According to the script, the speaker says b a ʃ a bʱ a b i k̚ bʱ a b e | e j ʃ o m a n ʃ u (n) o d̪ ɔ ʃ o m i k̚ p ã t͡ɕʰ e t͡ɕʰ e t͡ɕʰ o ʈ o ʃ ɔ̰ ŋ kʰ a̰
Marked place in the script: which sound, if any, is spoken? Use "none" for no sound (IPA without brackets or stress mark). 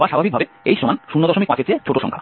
nː